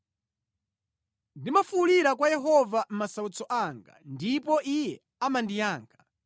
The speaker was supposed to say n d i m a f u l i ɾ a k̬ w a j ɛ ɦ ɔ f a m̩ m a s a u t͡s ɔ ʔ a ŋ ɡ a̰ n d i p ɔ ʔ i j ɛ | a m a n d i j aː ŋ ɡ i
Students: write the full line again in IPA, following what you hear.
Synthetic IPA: n d i m a f u l i ɾ a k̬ w a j ɛ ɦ ɔ v a m̩ m a s a u t͡s ɔ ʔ a ŋ ɡ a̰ n d i p ɔ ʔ i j ɛ | a m a n d i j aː ŋ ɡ a